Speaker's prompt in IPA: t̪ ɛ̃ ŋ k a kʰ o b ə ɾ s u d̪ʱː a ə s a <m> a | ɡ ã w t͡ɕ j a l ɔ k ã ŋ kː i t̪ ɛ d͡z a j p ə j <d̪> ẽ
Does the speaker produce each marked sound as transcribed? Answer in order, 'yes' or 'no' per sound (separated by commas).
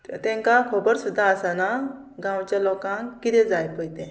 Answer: no, no